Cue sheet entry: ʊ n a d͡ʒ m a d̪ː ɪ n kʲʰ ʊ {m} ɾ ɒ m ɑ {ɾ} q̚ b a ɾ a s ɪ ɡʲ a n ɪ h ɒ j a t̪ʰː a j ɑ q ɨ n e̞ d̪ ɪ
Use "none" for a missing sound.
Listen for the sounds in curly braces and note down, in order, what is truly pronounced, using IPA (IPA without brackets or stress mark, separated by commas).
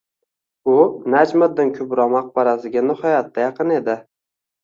b, none